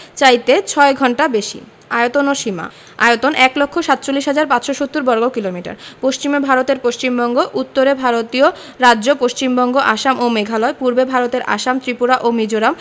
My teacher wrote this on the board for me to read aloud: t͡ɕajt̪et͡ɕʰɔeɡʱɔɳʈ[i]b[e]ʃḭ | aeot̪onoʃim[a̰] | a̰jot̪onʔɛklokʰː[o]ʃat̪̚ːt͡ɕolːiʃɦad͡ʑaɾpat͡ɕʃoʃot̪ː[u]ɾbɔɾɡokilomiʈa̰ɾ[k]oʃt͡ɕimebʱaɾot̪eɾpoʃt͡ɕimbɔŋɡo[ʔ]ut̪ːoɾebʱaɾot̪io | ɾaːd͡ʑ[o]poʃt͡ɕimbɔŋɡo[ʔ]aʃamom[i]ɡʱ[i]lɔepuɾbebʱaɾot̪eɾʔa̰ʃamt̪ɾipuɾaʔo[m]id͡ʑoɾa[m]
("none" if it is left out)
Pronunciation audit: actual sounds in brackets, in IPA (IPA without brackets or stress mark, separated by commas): a, e, a̰, o, u, p, ʔ, o, ʔ, e, a, m, m